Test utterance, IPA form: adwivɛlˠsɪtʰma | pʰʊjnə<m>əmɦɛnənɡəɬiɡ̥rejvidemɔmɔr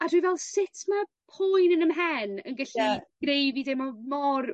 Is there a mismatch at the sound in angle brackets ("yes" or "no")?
yes